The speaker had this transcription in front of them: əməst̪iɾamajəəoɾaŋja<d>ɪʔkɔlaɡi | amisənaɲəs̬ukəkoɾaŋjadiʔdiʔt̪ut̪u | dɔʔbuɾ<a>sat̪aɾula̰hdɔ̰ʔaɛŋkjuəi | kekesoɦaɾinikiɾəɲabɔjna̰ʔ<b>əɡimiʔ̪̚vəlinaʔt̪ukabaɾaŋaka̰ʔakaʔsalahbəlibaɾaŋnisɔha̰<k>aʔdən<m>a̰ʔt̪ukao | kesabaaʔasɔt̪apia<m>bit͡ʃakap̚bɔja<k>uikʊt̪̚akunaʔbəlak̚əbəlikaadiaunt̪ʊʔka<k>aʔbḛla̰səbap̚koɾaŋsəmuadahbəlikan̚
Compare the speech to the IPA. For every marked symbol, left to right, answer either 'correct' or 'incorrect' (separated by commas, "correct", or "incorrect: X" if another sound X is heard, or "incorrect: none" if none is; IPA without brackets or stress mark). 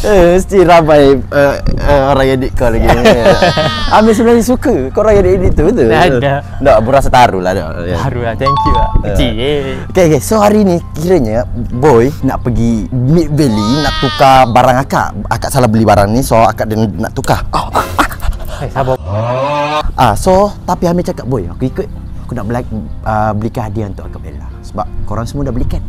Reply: correct, correct, incorrect: p, correct, incorrect: n, correct, correct, correct